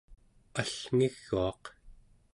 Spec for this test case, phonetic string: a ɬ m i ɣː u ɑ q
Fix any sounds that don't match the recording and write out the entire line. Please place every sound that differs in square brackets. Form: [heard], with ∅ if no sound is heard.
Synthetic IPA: a ɬ [ŋ] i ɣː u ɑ q